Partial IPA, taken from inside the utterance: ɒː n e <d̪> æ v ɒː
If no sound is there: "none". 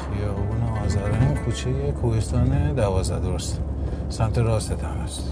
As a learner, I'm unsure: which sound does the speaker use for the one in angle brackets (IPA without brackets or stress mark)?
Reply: d̪